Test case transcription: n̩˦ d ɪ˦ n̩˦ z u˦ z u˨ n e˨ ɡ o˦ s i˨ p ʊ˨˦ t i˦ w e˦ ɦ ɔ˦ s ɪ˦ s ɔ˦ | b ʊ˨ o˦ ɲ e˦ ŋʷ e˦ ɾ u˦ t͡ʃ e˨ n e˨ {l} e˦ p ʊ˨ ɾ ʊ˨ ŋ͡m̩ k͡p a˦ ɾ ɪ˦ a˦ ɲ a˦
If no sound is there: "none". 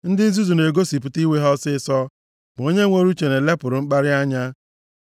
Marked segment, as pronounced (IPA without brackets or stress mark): l